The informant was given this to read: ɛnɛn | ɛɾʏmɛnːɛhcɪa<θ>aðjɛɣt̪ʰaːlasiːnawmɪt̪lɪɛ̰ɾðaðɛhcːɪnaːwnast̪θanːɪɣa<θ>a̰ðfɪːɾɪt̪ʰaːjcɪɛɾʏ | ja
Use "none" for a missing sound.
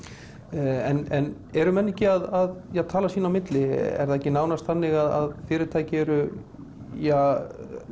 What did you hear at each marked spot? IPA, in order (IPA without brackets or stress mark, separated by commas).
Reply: ð, ð